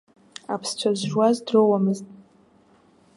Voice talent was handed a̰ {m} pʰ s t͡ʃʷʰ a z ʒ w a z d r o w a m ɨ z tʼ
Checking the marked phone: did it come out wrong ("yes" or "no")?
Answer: yes